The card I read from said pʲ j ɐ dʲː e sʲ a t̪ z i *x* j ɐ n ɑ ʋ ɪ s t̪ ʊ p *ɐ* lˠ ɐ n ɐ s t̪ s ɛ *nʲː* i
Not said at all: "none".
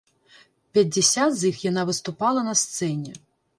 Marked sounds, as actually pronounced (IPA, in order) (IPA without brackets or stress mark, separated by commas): x, ɑ, nʲ